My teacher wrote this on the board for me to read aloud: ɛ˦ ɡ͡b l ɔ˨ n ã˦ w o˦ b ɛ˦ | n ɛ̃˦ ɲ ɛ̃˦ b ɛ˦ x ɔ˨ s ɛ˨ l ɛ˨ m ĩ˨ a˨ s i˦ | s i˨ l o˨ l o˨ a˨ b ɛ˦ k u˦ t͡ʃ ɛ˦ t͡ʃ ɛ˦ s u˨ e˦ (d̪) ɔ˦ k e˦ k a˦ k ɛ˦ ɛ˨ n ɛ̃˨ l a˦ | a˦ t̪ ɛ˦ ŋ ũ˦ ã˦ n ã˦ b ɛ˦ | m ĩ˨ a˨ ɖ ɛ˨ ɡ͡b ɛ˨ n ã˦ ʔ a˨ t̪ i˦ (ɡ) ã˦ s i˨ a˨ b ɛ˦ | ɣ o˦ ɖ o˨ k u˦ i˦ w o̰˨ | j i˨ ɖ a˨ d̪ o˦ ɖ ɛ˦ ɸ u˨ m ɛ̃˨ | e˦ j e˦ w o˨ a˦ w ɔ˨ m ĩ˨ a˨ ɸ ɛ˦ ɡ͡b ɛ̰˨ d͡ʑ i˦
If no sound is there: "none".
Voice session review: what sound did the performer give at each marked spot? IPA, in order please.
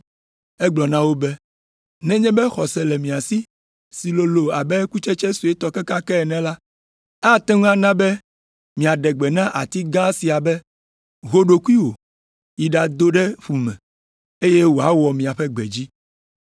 t̪, ɡ

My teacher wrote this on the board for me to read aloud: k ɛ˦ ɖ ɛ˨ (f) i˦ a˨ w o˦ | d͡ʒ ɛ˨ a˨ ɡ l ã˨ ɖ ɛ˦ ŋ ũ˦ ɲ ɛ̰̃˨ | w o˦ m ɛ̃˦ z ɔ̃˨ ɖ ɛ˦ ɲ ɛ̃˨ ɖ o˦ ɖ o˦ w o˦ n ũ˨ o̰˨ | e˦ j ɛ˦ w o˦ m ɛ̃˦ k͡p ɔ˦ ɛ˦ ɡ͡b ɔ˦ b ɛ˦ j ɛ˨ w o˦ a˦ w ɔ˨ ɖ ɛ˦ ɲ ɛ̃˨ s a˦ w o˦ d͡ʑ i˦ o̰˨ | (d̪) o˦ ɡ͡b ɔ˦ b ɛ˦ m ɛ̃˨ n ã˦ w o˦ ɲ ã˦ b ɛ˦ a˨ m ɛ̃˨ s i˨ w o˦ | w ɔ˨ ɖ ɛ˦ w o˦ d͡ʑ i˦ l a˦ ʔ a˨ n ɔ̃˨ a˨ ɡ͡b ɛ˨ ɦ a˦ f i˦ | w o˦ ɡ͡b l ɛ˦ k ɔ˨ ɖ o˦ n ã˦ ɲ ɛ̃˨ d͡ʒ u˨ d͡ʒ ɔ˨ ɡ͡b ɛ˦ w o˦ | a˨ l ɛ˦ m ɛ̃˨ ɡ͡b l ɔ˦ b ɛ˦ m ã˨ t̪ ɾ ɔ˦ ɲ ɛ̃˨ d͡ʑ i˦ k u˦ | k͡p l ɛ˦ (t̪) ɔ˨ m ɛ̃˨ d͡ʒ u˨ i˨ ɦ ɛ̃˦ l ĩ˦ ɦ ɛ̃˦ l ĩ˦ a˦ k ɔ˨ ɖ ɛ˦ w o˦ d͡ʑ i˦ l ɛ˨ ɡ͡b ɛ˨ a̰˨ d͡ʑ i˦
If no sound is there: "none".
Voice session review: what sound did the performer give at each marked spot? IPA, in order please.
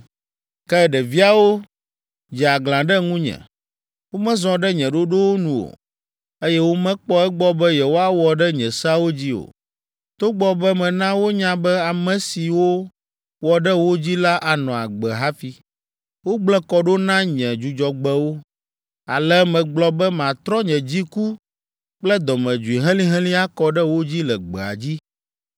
v, t̪, d̪

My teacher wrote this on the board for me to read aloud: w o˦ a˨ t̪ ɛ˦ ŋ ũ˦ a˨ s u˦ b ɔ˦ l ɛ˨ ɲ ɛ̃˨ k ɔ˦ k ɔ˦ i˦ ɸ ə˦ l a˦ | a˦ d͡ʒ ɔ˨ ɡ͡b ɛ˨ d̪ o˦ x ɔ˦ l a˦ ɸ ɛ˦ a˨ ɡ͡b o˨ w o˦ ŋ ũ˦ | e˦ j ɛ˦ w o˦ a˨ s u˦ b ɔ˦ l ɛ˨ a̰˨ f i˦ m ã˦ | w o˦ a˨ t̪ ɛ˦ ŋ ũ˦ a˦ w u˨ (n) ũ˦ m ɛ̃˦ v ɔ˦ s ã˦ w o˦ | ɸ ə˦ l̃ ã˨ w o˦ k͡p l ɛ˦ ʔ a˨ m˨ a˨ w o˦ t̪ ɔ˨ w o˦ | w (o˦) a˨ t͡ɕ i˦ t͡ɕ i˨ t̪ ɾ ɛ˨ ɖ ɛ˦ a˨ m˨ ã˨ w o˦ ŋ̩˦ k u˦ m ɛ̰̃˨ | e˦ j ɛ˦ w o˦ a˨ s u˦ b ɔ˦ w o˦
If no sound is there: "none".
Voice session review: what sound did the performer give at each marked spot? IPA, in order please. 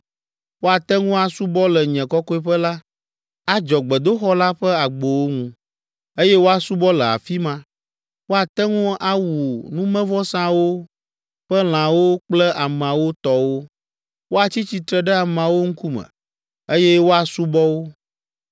n, o˦

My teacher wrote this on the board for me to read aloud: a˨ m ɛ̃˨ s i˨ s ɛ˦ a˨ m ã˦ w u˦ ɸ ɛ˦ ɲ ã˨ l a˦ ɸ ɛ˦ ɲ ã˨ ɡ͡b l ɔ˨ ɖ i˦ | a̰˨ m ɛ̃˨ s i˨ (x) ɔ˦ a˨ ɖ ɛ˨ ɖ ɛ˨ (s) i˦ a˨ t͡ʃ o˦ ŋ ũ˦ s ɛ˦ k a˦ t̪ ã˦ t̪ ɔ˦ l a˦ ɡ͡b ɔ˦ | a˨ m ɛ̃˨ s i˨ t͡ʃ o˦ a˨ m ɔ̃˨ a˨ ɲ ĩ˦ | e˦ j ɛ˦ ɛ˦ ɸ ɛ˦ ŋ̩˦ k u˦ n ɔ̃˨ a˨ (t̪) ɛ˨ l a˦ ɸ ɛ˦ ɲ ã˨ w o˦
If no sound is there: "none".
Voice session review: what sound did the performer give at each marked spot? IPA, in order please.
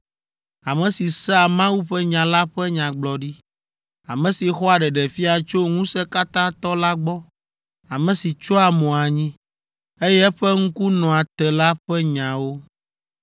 x, f, t̪

